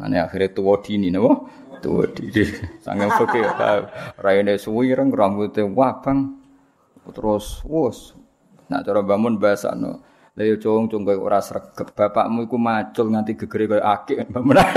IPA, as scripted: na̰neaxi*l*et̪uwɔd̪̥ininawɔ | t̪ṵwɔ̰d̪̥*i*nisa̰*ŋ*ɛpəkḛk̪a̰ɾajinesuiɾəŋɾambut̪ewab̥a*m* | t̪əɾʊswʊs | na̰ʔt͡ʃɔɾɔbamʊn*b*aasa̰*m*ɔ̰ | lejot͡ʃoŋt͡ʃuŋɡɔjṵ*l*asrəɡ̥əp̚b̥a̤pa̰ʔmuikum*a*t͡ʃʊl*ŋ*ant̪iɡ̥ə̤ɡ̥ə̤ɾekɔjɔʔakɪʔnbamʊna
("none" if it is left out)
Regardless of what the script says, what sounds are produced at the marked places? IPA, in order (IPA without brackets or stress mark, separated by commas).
ɾ, i, ŋ, ŋ, b, n, ɾ, a, ŋ